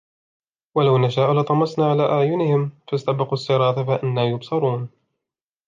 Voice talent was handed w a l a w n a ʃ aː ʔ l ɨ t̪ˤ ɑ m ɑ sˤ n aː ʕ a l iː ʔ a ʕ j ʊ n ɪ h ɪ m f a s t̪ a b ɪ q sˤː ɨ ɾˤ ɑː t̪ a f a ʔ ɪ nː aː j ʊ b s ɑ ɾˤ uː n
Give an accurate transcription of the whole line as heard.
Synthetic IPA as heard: w a l a w n a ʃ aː ʔ l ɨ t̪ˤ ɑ m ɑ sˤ n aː ʕ a l aː ʔ a ʕ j ʊ n ɪ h ɪ m f a s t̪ a b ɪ q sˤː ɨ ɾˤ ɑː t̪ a f a ʔ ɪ nː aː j ʊ b s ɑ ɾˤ uː n